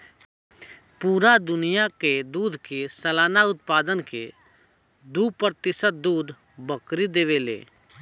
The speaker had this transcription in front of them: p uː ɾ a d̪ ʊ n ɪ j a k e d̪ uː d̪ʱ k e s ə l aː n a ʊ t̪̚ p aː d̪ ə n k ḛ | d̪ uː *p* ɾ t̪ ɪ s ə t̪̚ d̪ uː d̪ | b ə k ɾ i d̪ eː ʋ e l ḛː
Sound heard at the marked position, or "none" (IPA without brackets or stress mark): p